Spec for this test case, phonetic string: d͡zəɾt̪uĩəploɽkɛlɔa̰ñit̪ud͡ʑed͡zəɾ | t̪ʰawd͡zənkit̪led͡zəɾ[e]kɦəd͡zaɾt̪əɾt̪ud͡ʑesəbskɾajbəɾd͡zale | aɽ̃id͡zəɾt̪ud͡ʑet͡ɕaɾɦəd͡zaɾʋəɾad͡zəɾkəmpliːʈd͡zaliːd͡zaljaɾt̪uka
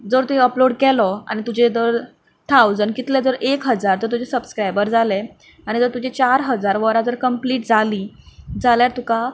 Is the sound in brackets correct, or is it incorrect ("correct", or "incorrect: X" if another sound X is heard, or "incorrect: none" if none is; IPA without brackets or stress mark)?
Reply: correct